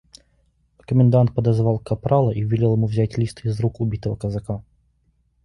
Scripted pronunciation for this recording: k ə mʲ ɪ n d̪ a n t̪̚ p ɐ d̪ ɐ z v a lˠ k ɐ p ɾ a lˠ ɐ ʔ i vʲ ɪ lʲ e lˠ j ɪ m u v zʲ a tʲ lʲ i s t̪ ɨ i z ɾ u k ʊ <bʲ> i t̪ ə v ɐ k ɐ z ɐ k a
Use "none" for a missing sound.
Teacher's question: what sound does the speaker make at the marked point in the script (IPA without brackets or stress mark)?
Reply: bʲ